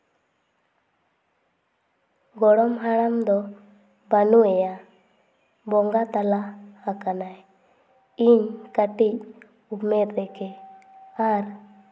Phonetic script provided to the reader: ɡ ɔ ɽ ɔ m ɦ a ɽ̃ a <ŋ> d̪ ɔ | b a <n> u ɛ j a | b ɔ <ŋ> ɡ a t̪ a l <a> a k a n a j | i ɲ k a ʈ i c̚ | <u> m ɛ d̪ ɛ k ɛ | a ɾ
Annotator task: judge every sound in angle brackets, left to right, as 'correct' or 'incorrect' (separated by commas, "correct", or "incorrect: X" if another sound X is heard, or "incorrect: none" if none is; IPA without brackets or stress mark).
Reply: incorrect: m, correct, correct, correct, correct